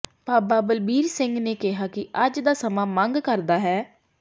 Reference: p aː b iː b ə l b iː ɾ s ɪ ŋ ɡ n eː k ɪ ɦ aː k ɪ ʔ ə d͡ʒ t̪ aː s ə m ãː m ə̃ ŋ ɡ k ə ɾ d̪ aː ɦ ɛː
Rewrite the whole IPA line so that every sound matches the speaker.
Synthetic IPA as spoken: p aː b aː b ə l b iː ɾ s ɪ ŋ ɡ n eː k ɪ ɦ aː k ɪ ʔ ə d͡ʒ d̪ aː s ə m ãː m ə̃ ŋ ɡ k ə ɾ d̪ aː ɦ ɛː

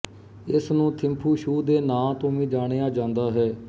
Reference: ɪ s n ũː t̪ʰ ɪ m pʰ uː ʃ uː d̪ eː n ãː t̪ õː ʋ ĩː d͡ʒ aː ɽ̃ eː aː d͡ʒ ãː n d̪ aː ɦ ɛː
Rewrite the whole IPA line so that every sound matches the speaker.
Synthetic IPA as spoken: ɪ s n ũː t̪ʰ ɪ m pʰ uː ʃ uː d̪ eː n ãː t̪ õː ʋ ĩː d͡ʒ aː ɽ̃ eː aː d͡ʒ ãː n d̪ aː ɦ ɛː

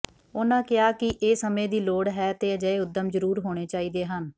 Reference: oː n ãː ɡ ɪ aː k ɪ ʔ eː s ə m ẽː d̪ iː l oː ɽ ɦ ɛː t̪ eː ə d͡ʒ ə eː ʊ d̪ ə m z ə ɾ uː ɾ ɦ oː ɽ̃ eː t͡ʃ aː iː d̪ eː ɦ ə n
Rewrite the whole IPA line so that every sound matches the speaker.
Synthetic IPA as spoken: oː n ãː k ɪ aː k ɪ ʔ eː s ə m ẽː d̪ iː l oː ɽ ɦ ɛː t̪ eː ə d͡ʒ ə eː ʊ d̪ ə m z ə ɾ uː ɾ ɦ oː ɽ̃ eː t͡ʃ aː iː d̪ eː ɦ ə n

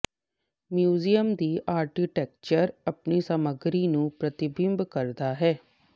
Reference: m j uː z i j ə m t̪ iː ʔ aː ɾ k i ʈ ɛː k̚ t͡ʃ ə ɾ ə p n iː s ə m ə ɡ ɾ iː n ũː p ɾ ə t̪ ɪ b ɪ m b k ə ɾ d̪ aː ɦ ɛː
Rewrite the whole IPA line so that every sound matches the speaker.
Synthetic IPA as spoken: m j uː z i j ə m d̪ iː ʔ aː ɾ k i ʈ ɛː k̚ t͡ʃ ə ɾ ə p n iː s ə m ə ɡ ɾ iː n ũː p ɾ ə t̪ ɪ b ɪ m b k ə ɾ d̪ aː ɦ ɛː

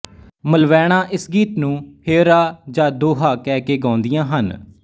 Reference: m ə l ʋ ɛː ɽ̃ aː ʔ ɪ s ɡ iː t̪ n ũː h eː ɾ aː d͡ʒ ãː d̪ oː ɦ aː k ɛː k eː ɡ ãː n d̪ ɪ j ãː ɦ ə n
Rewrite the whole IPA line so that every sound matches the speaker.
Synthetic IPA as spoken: m ə l ʋ ɛː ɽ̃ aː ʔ ɪ s ɡ iː t̪ n ũː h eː ɾ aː d͡ʒ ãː d̪ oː ɦ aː k ɛː k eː ɡ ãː n d̪ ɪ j ãː ɦ ə n

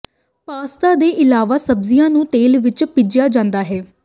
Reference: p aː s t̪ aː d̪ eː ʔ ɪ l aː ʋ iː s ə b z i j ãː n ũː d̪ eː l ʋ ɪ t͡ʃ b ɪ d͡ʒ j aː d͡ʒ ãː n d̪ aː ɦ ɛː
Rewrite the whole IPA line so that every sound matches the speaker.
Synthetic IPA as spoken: p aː s t̪ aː d̪ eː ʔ ɪ l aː ʋ aː s ə b z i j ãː n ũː t̪ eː l ʋ ɪ t͡ʃ p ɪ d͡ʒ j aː d͡ʒ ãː n d̪ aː ɦ ɛː

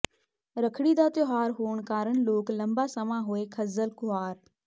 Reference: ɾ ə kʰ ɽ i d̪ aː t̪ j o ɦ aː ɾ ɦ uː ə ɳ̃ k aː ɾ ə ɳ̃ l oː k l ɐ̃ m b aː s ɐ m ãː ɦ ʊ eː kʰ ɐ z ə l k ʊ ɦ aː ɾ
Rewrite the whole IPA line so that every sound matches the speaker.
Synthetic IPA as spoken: ɾ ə kʰ ɽ i d̪ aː t̪ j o ɦ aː ɾ ɦ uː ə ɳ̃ k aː ɾ ə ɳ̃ l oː k l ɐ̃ m b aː s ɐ m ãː ɦ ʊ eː kʰ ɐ z ə l k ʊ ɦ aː ɾ

